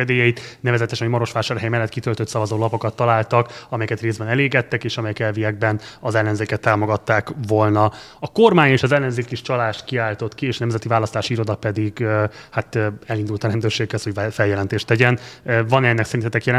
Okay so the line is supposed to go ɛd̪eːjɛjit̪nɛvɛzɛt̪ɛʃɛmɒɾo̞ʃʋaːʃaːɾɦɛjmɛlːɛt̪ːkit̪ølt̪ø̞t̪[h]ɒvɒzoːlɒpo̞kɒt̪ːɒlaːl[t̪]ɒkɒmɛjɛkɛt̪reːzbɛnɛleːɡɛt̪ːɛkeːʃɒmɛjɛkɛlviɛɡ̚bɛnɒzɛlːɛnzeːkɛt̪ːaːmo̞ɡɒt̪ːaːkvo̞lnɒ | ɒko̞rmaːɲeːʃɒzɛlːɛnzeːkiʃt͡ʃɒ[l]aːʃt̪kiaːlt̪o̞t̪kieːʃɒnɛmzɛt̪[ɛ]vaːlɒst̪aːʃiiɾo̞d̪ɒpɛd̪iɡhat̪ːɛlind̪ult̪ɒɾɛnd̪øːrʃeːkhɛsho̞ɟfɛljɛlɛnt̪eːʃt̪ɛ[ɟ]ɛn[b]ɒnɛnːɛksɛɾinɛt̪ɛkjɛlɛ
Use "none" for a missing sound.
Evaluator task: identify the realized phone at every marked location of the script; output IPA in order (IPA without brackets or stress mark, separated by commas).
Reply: s, t̪, l, i, ɟ, v